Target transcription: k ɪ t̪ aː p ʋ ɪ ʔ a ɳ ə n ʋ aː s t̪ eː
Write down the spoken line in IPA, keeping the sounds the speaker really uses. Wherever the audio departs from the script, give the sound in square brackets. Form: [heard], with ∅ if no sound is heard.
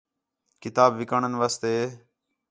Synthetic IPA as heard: k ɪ t̪ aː [b] ʋ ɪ [k] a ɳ ə n ʋ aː s t̪ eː